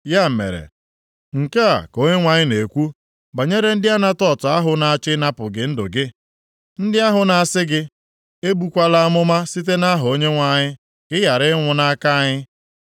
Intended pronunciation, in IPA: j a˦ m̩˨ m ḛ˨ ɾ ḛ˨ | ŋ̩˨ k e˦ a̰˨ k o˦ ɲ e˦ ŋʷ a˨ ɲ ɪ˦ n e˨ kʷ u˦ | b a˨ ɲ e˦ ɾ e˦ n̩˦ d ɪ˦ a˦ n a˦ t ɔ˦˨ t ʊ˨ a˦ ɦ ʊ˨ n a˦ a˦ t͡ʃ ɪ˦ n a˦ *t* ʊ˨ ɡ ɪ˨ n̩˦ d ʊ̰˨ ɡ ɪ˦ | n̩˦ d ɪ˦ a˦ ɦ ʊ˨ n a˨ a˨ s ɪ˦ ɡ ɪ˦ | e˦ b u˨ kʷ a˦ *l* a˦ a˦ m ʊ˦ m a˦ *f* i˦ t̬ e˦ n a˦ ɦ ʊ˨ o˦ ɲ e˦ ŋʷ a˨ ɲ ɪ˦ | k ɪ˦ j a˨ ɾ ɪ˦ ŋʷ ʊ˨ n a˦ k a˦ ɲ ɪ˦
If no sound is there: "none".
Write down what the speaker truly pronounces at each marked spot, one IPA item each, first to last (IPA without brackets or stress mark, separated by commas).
p, l, s